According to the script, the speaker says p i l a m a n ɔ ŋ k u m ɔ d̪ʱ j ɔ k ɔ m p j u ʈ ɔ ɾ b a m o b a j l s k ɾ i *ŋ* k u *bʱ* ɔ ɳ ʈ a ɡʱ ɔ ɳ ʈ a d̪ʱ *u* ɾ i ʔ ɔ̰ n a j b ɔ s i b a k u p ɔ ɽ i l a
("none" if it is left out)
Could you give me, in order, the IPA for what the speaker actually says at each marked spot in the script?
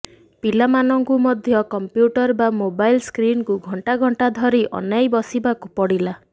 n, ɡʱ, ɔ

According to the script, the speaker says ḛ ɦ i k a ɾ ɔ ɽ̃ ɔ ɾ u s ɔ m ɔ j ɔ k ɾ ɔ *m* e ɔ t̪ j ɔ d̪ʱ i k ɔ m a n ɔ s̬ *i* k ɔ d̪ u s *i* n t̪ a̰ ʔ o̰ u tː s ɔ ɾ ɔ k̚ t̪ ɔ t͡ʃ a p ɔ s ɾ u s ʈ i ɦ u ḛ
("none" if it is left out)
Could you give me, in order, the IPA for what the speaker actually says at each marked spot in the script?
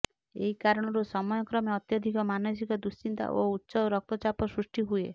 m, i, i

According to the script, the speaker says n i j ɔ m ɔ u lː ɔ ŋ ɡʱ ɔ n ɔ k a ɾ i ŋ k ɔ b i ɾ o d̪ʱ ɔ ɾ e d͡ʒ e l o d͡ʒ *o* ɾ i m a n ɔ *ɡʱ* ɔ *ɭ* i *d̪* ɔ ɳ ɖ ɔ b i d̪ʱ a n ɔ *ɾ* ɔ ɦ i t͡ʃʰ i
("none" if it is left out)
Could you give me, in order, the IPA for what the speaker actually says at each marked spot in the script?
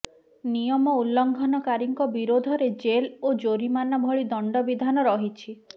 o, bʱ, ɭ, d̪, ɾ

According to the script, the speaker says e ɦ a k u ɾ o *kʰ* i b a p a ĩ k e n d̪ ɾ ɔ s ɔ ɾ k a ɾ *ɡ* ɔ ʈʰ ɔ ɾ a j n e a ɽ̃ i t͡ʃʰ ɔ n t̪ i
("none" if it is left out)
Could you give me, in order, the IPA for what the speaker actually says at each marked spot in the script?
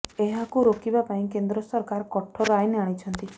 k, k

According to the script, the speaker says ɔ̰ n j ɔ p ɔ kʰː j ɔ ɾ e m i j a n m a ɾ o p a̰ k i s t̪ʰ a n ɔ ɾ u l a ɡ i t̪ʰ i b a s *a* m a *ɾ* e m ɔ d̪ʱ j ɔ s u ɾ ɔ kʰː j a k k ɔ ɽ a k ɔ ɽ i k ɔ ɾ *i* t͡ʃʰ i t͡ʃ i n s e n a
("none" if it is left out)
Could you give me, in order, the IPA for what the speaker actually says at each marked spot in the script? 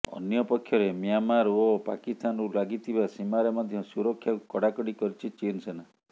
i, ɾ, i

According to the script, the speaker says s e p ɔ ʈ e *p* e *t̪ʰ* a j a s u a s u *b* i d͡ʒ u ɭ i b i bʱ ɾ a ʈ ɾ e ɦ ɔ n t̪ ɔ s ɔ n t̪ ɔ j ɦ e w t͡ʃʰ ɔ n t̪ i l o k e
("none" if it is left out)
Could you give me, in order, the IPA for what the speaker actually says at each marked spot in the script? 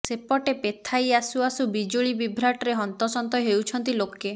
p, t̪ʰ, b

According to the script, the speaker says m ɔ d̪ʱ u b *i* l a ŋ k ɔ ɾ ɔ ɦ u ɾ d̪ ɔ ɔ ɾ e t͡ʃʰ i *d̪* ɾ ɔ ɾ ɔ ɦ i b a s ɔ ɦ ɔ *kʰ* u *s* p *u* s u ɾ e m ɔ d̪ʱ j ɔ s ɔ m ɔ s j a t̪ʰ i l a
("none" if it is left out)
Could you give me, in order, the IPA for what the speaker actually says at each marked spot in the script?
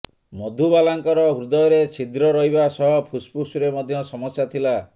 a, d̪, pʰ, s, u

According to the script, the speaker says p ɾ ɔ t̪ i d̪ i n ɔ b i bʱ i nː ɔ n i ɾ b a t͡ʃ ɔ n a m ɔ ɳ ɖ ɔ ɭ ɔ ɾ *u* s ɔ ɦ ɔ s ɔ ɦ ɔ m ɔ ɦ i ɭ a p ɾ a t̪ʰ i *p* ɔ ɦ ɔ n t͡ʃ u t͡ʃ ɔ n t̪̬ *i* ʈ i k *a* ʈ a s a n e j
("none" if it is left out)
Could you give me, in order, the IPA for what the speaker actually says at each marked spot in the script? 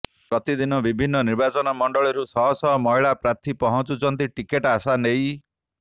u, p, i, e

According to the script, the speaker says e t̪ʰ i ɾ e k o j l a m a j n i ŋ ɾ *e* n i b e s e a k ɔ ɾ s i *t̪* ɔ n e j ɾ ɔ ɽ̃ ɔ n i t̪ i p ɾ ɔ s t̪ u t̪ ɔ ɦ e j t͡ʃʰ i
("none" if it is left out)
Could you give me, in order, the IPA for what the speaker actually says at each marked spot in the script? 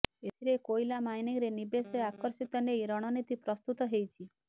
e, t̪

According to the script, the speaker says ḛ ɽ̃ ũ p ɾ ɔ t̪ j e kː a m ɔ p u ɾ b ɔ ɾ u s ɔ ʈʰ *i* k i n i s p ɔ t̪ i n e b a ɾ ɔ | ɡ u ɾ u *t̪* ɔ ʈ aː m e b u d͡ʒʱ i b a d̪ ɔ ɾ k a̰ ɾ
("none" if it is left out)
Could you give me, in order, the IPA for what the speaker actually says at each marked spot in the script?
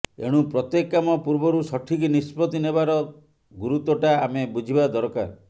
i, t̪

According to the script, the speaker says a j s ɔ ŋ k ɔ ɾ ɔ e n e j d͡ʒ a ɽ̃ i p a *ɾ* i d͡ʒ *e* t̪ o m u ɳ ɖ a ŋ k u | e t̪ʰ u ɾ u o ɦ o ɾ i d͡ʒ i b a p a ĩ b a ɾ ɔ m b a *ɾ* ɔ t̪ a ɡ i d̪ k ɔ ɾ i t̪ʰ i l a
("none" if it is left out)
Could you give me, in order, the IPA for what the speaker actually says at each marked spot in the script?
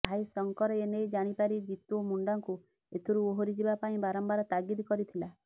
ɾ, i, ɾ

